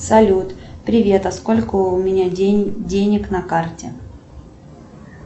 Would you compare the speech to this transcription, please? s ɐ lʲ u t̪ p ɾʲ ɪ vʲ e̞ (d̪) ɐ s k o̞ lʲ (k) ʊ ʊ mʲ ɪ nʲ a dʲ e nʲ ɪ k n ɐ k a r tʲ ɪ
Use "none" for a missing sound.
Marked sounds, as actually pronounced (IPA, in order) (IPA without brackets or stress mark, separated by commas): t̪, k